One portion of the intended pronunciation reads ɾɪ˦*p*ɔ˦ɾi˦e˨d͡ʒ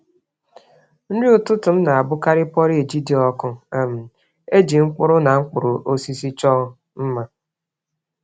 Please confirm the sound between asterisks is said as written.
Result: yes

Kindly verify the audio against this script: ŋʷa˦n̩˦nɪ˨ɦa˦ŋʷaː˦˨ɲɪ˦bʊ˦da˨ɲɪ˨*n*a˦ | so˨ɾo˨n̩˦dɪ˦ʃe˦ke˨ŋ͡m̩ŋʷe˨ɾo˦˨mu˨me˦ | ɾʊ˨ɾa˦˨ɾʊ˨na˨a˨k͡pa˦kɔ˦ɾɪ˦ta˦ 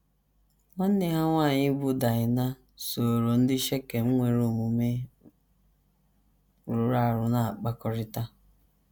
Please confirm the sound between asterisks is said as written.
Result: yes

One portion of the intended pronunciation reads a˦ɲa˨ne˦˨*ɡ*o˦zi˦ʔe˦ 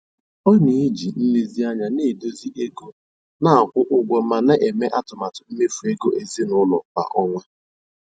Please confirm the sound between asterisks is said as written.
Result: no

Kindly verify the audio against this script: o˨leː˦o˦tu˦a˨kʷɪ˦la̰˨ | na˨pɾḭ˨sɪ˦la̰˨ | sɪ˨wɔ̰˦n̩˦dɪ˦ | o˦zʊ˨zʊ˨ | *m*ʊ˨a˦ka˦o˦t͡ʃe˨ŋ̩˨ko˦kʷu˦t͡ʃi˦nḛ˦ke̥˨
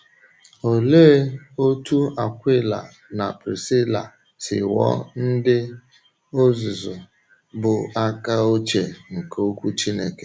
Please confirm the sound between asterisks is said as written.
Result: no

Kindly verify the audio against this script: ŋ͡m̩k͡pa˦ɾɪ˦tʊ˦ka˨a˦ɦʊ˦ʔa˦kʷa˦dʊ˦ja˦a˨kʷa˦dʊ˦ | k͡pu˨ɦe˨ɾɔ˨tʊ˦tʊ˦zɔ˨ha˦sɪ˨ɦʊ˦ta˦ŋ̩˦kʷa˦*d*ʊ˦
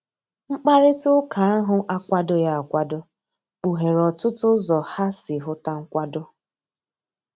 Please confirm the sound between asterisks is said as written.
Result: yes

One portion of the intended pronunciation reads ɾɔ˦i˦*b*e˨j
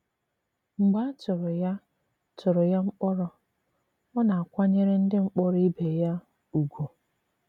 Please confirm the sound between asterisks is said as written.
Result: yes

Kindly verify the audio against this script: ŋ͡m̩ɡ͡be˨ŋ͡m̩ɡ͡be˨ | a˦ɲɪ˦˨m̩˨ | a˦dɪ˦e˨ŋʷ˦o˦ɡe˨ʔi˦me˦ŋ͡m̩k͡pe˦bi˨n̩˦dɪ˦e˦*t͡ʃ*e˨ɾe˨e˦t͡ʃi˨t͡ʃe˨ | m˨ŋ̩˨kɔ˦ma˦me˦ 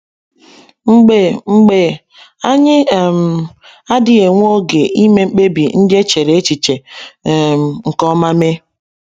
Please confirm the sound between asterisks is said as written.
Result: yes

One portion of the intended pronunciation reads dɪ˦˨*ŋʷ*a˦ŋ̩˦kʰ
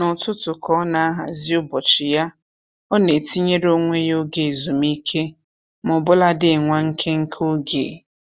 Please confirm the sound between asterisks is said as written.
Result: yes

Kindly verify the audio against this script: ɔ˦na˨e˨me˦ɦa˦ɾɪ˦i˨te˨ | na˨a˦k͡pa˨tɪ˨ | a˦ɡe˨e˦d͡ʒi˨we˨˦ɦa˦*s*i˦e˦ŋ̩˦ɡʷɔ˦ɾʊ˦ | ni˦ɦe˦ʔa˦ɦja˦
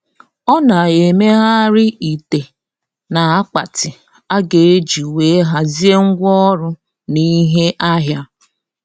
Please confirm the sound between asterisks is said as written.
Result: no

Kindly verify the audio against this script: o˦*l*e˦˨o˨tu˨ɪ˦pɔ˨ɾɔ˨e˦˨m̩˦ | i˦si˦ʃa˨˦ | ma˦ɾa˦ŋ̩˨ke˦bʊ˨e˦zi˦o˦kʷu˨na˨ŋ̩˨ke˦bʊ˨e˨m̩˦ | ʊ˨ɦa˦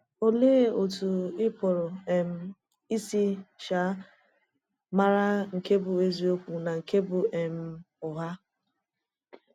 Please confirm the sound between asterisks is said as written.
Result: yes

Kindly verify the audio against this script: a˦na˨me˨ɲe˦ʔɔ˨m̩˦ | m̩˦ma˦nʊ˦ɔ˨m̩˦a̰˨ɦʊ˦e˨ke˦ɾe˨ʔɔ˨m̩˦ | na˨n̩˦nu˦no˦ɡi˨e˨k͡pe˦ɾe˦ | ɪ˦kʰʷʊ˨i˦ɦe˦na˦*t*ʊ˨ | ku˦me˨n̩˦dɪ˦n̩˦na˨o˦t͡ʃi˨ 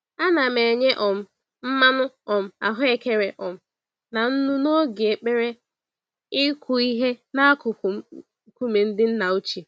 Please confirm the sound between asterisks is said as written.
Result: no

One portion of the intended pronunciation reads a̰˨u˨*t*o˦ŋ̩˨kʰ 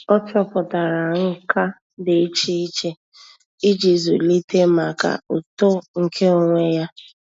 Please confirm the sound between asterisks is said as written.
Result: yes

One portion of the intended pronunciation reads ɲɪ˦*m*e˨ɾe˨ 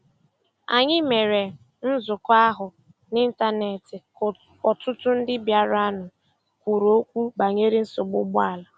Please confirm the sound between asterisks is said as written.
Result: yes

